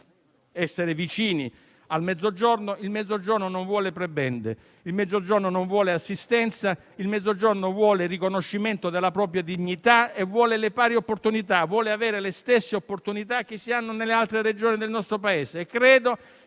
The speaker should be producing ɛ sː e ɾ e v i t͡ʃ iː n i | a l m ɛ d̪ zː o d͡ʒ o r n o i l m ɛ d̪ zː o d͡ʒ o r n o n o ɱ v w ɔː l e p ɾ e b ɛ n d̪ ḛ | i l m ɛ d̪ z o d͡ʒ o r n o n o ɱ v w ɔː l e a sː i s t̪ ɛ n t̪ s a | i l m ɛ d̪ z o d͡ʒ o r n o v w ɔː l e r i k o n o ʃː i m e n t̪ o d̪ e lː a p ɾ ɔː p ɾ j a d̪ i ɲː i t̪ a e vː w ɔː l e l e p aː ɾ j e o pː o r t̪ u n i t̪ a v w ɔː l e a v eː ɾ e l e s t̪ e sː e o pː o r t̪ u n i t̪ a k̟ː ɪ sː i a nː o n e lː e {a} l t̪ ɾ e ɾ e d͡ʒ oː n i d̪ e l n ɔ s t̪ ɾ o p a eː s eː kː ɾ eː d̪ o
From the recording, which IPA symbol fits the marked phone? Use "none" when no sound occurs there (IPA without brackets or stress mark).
a